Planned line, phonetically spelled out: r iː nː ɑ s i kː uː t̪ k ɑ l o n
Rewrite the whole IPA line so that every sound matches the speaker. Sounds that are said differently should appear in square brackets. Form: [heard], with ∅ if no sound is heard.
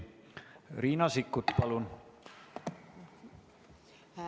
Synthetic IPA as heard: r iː [n] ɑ s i kː [u] t̪ [p] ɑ l [u] n